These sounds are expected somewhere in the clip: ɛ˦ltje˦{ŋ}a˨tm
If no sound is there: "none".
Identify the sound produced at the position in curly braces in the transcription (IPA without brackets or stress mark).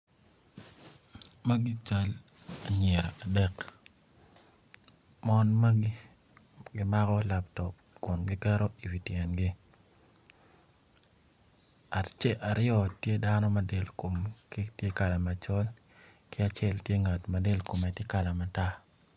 ŋ